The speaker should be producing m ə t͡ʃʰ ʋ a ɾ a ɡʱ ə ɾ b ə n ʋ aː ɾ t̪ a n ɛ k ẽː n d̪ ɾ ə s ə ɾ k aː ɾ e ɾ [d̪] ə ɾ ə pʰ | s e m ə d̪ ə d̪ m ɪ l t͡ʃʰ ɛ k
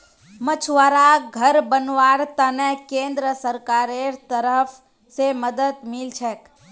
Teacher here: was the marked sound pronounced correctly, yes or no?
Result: no